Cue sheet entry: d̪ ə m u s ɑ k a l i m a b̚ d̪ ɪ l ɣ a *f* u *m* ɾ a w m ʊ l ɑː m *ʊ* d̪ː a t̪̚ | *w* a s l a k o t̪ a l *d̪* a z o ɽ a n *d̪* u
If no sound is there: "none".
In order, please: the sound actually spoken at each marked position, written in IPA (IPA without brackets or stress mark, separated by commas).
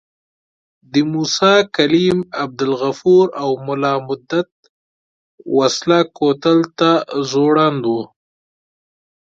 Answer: f, none, ʊ, w, t̪, d̪